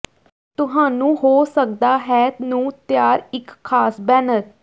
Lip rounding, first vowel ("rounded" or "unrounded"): rounded